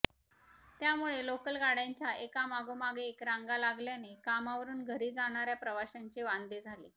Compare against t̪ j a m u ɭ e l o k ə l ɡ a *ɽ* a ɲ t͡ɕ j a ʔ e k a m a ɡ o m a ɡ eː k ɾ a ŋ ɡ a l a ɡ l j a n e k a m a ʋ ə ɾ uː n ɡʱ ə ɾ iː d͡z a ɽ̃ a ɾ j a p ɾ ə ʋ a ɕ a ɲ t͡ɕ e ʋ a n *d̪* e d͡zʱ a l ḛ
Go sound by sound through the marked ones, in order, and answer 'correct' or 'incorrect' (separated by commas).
correct, correct